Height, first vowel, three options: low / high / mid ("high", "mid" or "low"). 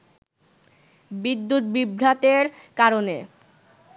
high